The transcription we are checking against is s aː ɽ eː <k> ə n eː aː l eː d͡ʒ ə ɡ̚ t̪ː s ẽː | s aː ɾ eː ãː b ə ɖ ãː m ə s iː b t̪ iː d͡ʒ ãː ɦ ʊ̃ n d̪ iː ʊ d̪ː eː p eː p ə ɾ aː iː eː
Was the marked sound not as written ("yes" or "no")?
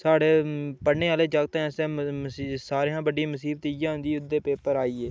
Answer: yes